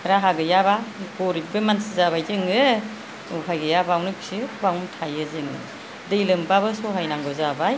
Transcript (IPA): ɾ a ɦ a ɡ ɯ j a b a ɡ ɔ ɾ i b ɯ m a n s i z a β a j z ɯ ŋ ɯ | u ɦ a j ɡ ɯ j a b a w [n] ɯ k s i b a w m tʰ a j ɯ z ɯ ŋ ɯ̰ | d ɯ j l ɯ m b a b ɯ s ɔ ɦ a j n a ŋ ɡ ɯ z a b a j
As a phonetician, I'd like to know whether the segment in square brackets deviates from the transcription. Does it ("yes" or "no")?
no